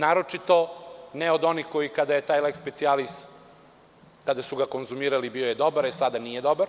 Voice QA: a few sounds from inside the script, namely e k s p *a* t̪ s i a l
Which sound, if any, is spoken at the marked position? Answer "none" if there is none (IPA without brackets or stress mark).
e